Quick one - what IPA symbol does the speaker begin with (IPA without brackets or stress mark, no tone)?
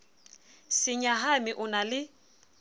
s